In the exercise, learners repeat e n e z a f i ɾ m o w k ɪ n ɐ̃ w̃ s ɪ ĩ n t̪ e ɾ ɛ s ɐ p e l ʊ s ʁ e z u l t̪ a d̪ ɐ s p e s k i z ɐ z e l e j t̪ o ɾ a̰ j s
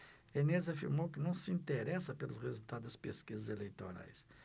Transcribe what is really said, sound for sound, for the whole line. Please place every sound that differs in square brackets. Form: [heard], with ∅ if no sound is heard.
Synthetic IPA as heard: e n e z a f i ɾ m o w k ɪ n ɐ̃ w̃ s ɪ ĩ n t̪ e ɾ ɛ s ɐ p e l ʊ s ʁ e z u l t̪ a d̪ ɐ s p e s k i z ɐ z e l e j t̪ o ɾ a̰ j s